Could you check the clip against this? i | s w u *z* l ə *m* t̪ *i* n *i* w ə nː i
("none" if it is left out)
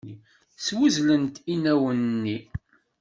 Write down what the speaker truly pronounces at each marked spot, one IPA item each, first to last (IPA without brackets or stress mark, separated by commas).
z, n, i, æ